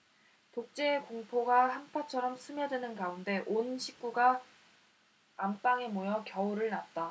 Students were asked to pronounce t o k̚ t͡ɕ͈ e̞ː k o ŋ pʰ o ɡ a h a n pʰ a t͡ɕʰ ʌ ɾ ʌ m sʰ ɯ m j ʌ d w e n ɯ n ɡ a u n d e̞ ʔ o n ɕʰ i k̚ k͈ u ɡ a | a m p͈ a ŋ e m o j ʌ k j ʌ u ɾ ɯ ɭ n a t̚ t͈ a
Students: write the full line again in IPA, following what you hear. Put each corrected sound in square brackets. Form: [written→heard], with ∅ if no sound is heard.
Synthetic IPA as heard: t o k̚ t͡ɕ͈ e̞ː k o ŋ pʰ o ɡ a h a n pʰ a t͡ɕʰ ʌ ɾ ʌ m sʰ ɯ m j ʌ d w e n ɯ n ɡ a u n d e̞ ʔ o n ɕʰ i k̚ k͈ u ɡ a | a m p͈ a ŋ e m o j ʌ k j ʌ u ɾ ɯ ɭ n a t̚ t͈ a

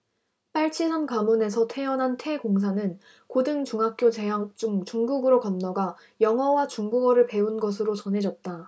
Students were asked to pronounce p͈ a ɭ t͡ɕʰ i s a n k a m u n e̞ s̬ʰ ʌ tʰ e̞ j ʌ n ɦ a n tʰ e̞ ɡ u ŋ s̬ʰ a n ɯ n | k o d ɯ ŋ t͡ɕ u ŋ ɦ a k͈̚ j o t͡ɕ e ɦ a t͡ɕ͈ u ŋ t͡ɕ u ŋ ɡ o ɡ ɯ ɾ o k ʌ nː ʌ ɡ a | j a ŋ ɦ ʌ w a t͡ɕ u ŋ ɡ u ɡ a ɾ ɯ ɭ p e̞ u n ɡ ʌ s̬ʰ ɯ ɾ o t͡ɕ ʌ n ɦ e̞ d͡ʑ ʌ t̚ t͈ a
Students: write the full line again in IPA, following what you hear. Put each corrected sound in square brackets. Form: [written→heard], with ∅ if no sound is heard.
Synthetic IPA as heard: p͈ a ɭ t͡ɕʰ i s a n k a m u n e̞ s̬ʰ ʌ tʰ e̞ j ʌ n ɦ a n tʰ e̞ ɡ [u→o] ŋ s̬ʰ a n ɯ n | k o d ɯ ŋ t͡ɕ u ŋ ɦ a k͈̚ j o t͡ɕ e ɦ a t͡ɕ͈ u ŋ t͡ɕ u ŋ ɡ [o→u] ɡ ɯ ɾ o k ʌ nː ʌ ɡ a | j [a→ʌ] ŋ ɦ ʌ w a t͡ɕ u ŋ ɡ u ɡ [a→ʌ] ɾ ɯ ɭ p e̞ u n ɡ ʌ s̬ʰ ɯ ɾ o t͡ɕ ʌ n ɦ e̞ d͡ʑ ʌ t̚ t͈ a

